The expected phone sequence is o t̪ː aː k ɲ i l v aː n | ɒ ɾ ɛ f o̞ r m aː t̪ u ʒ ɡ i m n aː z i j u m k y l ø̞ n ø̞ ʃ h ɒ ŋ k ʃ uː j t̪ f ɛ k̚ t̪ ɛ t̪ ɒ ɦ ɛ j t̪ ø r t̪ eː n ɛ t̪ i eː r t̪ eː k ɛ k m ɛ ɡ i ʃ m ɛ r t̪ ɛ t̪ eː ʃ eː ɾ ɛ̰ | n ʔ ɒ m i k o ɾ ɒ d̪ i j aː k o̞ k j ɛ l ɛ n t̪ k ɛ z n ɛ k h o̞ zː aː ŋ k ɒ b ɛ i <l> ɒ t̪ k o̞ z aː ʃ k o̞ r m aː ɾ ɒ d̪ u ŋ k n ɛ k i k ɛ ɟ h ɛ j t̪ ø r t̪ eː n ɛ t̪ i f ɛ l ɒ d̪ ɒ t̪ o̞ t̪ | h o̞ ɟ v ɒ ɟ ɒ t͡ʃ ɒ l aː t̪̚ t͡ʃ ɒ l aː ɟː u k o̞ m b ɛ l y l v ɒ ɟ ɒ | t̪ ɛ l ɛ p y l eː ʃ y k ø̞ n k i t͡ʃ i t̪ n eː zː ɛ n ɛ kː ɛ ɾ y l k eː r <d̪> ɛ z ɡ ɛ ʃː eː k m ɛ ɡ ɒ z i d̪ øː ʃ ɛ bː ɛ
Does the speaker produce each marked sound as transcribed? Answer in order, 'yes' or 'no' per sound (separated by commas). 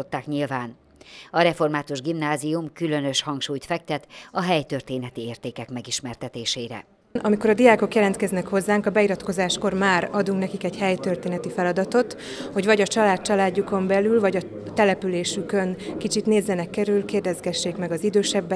no, yes